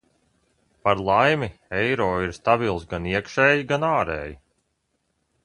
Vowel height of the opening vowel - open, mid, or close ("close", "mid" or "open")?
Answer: open